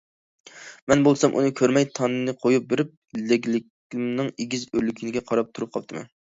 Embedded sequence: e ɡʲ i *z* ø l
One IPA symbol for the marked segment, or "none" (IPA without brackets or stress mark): z